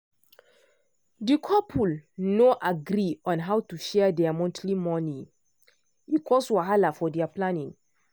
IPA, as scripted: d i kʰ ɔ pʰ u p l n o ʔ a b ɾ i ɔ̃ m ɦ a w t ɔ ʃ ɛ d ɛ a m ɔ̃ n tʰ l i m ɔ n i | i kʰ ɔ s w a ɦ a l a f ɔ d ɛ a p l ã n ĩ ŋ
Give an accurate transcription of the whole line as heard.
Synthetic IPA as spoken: d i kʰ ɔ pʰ u l n o ʔ a ɡ ɾ i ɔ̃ n ɦ a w t u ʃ ɛ d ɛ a m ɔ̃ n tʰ l i m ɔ n i | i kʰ ɔ s w a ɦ a l a f ɔ d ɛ a p l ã n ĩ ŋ